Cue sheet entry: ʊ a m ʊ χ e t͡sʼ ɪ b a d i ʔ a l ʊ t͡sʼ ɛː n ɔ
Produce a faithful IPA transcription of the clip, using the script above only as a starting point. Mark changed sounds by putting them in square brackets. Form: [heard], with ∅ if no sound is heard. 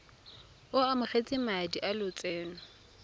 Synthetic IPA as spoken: ʊ a m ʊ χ e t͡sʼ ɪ [m] a d i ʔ a l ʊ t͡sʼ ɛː n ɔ

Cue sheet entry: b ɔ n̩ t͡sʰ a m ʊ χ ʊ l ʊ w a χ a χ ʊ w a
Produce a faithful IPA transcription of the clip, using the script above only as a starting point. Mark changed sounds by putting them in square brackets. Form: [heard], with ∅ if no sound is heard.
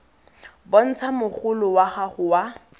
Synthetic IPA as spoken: b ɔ n̩ t͡sʰ a m ʊ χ ʊ l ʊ w a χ a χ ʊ w a

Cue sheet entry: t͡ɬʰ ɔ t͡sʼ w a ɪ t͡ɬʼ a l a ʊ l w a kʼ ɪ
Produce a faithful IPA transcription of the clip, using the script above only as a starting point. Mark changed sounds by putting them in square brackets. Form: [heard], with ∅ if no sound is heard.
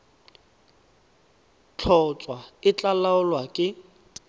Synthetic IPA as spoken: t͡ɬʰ ɔ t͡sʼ w a ɪ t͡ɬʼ a l a ʊ l w a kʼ ɪ

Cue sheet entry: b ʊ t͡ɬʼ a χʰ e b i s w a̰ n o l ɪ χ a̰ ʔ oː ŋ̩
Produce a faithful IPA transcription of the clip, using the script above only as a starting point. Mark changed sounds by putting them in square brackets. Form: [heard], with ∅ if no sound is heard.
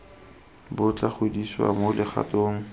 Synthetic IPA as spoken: b ʊ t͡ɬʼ a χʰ e [d] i s w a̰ [m] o l ɪ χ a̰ [t] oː ŋ̩

